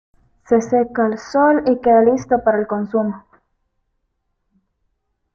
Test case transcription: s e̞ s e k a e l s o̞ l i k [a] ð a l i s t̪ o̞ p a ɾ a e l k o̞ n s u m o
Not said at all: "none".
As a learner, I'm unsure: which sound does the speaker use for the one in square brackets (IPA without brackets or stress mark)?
e